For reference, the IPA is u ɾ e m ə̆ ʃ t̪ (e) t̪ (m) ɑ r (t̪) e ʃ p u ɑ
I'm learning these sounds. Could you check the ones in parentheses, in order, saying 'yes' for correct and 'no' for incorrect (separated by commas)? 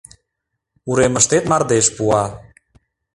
yes, yes, no